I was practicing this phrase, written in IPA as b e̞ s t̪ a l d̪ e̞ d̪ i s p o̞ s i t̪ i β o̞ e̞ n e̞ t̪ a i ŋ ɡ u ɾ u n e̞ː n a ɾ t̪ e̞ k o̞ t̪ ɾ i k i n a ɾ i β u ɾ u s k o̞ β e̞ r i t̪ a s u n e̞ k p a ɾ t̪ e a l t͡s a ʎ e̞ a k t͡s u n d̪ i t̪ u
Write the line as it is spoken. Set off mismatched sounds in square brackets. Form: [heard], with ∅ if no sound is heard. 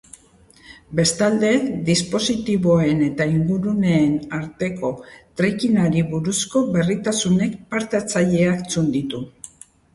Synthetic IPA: b e̞ s t̪ a l d̪ e̞ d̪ i s p o̞ s i t̪ i β o̞ e̞ n e̞ t̪ a i ŋ ɡ u ɾ u n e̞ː n a ɾ t̪ e̞ k o̞ t̪ ɾ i k i n a ɾ i β u ɾ u s k o̞ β e̞ r i t̪ a s u n e̞ k p a ɾ t̪ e a [∅] t͡s a ʎ e̞ a k t͡s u n d̪ i t̪ u